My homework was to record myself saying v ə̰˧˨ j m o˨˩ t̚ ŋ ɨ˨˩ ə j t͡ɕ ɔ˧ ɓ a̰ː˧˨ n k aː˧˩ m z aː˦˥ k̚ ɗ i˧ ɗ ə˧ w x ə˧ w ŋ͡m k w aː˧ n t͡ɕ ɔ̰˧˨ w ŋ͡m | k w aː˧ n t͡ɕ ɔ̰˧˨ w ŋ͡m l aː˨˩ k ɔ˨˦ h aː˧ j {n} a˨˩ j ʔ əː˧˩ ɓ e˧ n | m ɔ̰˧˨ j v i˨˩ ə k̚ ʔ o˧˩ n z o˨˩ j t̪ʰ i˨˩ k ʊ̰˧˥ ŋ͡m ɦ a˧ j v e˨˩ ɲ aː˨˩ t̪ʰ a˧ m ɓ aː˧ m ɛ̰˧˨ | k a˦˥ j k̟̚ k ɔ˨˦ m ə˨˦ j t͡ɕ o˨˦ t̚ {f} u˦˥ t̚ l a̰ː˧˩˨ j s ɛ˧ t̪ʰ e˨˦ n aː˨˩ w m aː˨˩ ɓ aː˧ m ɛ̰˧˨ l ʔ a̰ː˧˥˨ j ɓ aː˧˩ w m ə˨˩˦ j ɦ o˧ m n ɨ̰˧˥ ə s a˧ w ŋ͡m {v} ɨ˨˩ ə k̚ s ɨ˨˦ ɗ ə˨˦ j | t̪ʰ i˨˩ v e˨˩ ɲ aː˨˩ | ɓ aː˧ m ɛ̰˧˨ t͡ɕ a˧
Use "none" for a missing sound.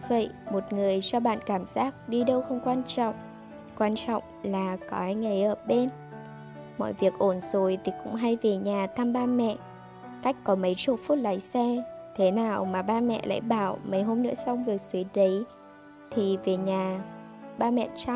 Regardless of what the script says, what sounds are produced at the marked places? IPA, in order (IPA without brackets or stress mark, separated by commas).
ŋ, f, v